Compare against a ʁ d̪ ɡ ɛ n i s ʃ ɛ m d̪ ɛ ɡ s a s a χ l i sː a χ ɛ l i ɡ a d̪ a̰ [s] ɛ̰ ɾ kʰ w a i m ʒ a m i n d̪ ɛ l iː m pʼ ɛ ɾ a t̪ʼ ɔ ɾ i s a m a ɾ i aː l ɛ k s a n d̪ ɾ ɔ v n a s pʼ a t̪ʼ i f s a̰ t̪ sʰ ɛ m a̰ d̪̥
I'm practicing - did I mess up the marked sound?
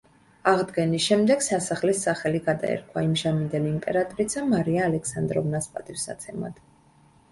yes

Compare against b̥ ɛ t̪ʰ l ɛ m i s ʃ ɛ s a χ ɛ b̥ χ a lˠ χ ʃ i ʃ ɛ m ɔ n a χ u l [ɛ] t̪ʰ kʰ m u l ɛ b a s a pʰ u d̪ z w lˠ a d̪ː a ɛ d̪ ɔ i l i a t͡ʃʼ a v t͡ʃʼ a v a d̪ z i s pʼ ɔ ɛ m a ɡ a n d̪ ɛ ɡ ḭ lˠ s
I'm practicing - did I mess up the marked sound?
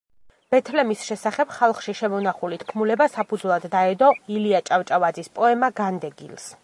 yes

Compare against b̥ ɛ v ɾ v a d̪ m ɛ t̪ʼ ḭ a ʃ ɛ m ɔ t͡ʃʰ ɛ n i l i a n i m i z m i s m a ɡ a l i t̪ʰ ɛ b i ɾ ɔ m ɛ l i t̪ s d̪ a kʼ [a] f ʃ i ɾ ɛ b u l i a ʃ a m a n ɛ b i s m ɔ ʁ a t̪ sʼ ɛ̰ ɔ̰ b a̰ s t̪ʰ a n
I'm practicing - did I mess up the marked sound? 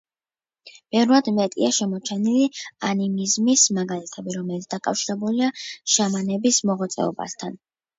no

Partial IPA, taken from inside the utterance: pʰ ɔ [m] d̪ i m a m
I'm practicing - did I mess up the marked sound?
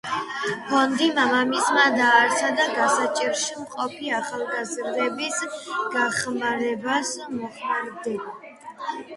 yes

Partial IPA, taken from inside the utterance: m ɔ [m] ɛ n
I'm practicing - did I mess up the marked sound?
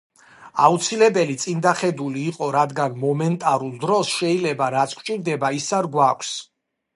no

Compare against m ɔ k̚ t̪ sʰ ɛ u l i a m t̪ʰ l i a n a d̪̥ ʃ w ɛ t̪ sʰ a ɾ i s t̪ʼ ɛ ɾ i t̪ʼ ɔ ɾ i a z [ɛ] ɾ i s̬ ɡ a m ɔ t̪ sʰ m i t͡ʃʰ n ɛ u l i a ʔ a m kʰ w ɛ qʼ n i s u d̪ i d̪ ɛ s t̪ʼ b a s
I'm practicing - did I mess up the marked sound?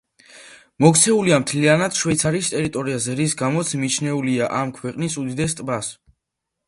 no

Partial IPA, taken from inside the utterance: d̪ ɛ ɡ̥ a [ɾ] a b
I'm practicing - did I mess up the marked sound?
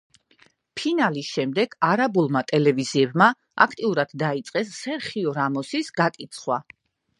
no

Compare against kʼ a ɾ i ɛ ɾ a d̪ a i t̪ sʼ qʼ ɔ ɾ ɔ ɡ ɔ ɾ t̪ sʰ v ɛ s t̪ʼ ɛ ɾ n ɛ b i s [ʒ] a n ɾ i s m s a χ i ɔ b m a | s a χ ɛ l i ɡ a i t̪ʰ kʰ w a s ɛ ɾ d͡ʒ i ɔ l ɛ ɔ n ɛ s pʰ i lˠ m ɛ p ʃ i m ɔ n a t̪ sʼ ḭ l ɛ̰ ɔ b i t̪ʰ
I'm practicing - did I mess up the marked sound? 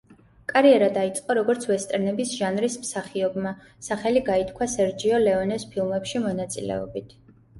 no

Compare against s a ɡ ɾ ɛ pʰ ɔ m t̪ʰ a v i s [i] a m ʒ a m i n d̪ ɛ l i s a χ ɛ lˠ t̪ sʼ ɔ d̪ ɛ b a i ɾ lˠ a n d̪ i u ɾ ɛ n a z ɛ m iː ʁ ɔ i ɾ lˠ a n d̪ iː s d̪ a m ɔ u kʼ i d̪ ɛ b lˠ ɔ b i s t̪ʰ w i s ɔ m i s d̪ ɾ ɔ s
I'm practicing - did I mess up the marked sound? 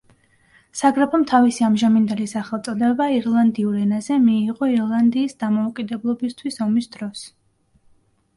no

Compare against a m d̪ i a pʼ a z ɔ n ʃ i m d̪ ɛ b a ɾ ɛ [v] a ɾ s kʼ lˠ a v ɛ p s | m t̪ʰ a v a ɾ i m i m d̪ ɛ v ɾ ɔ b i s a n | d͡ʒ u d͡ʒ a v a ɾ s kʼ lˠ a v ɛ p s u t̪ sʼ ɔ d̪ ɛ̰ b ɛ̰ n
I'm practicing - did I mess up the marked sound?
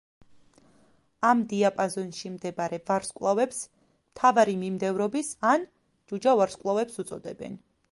no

